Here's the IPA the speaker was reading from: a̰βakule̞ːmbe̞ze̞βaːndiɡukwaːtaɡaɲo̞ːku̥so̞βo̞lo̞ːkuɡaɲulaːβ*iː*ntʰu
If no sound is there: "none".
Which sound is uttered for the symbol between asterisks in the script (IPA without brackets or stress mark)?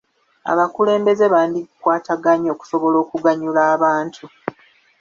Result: aː